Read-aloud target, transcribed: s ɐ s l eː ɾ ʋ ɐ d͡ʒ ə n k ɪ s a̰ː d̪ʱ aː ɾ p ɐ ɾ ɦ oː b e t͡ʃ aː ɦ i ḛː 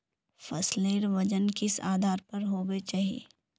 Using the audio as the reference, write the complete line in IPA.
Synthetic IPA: f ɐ s l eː ɾ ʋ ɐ d͡ʒ ə n k ɪ s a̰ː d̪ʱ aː ɾ p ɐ ɾ ɦ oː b e t͡ʃ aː ɦ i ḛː